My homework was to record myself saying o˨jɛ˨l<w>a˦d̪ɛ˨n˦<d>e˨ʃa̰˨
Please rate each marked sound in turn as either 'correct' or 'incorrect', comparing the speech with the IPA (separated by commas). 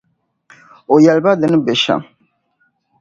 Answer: incorrect, incorrect